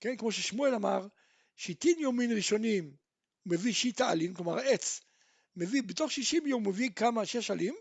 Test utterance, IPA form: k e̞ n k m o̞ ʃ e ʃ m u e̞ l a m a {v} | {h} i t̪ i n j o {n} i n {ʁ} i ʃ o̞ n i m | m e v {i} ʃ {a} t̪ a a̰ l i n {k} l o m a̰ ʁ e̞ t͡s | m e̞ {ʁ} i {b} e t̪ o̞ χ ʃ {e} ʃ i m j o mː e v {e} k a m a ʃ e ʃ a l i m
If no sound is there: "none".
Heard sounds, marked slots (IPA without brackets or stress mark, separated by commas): ʁ, ʃ, m, ʁ, i, i, k, v, b, i, i